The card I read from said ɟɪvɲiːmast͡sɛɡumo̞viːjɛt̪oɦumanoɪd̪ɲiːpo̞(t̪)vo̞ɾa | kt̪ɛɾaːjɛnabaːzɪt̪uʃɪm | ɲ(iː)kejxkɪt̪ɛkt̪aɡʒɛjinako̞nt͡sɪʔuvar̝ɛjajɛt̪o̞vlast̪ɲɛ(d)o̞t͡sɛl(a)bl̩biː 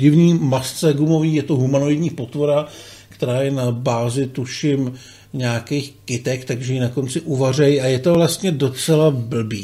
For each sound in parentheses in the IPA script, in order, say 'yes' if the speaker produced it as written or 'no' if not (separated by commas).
yes, no, yes, yes